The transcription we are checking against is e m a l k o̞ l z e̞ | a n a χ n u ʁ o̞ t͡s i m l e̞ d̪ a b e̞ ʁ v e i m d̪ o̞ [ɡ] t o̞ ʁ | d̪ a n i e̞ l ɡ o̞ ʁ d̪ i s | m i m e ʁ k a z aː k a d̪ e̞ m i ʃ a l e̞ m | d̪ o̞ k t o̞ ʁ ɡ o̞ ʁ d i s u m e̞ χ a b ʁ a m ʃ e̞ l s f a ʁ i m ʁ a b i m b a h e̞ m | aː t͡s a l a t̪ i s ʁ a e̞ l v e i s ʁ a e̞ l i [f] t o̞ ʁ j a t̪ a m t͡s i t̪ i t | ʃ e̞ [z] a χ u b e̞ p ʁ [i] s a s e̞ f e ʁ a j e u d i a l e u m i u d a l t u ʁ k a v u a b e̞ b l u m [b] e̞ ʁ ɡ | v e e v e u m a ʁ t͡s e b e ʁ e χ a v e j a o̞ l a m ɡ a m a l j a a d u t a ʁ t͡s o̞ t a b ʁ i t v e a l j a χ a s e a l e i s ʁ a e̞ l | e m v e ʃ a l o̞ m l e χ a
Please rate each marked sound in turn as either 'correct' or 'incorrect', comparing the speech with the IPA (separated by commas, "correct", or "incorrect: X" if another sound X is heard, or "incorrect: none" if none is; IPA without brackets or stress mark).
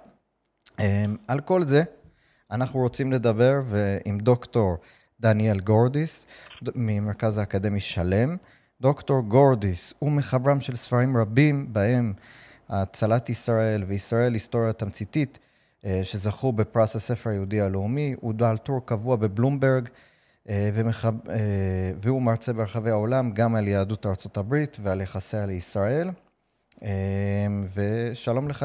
incorrect: k, incorrect: s, correct, incorrect: a, correct